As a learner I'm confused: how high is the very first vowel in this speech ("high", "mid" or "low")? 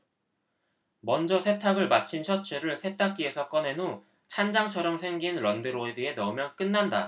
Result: mid